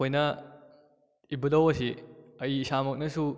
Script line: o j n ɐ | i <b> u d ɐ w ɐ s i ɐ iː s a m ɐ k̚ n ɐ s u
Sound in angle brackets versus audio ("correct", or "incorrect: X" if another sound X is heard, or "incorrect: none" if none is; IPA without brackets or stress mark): correct